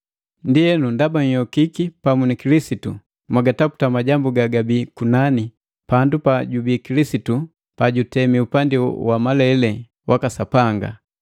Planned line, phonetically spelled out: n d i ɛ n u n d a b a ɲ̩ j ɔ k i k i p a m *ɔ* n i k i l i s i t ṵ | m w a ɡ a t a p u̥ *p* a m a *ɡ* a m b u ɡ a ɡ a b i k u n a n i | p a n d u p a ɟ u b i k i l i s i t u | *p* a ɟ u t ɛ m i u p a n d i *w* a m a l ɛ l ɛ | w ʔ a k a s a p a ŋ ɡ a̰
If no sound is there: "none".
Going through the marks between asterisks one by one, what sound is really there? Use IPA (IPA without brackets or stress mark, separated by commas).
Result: u, t, ɟ, p, w